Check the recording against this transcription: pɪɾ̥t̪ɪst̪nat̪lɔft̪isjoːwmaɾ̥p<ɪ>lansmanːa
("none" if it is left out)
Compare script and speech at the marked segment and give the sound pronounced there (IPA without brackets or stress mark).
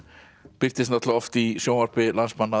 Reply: ɪ